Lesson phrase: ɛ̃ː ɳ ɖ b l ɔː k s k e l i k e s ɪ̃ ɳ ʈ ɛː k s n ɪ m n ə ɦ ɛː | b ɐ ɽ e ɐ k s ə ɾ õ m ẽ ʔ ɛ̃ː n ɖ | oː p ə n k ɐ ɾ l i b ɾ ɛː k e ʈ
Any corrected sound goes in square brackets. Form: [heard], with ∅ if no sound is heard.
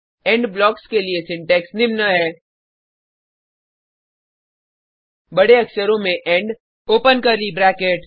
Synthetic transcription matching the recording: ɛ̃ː ɳ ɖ b l ɔː k s k e l i [∅] e s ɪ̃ ɳ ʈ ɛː k s n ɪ m n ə ɦ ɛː | b ɐ ɽ e ɐ k s ə ɾ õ m ẽ ʔ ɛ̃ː [ɳ] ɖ | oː p ə n k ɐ ɾ l i b ɾ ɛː k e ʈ